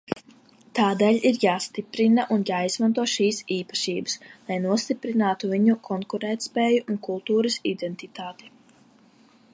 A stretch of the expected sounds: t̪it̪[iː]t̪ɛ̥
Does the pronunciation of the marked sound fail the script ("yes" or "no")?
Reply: yes